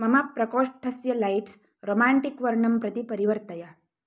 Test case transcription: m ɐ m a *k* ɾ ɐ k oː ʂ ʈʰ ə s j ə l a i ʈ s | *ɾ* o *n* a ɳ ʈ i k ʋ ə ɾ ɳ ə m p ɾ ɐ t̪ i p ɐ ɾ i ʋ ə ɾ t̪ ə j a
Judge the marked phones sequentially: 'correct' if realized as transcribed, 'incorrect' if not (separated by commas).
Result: incorrect, correct, incorrect